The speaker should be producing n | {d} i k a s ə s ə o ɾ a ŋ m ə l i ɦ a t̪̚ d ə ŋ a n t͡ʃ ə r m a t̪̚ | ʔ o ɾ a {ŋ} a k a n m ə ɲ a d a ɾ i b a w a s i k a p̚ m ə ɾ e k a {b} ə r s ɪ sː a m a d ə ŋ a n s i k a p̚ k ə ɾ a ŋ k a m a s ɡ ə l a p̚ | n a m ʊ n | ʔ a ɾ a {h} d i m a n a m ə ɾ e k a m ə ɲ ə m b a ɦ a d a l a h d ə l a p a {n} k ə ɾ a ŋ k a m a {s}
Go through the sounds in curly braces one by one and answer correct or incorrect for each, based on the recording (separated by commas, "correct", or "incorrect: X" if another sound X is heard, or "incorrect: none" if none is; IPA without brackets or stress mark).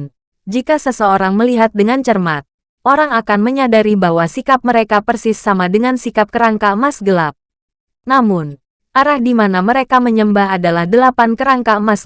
incorrect: d͡ʒ, correct, incorrect: p, correct, correct, correct